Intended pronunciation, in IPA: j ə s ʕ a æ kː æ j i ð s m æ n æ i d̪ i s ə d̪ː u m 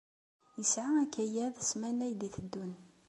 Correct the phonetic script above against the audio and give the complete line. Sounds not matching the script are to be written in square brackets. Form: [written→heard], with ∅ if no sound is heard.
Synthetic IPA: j ə s ʕ a æ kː æ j [i→æ] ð s m æ n æ [i→j] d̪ i [s→θ] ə d̪ː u [m→n]